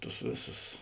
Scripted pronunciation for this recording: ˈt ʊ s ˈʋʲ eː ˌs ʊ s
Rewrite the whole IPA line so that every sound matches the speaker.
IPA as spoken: ˈt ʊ s ˈʋʲ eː ˌs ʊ s